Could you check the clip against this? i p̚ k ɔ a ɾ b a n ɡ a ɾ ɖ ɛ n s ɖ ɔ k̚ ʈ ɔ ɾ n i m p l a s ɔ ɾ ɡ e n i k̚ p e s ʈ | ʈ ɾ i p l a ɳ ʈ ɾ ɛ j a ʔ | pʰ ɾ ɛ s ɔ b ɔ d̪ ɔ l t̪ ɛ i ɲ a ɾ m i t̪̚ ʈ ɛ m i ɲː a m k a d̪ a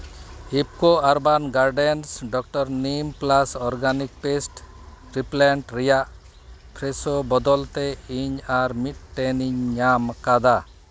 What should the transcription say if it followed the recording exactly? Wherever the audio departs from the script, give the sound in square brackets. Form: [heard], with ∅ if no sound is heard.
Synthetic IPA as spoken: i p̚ k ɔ a ɾ b a n ɡ a ɾ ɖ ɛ n s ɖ ɔ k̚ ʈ ɔ ɾ n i m p l a s ɔ ɾ ɡ [a] n i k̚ p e s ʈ | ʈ ɾ i p l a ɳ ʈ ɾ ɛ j a ʔ | pʰ ɾ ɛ s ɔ b ɔ d̪ ɔ l t̪ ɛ i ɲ a ɾ m i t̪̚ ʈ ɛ [n] i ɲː a m k a d̪ a